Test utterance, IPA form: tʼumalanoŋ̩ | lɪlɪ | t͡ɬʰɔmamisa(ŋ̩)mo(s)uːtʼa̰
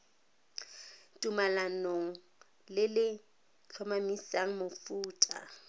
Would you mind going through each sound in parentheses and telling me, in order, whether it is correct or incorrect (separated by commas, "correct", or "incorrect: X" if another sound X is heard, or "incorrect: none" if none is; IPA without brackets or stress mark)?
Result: correct, incorrect: f